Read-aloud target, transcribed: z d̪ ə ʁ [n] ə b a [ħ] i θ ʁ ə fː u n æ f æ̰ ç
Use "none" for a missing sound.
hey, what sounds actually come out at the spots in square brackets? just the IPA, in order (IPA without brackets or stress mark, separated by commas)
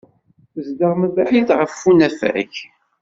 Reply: m, ħ